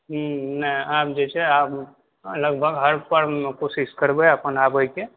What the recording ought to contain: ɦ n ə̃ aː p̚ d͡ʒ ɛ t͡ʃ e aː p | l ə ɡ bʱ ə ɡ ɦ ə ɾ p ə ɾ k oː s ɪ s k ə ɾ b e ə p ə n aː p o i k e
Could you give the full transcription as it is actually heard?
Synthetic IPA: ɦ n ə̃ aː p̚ d͡ʒ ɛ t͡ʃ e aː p | l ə ɡ bʱ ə ɡ ɦ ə ɾ p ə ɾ k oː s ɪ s k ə ɾ b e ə p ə n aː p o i k e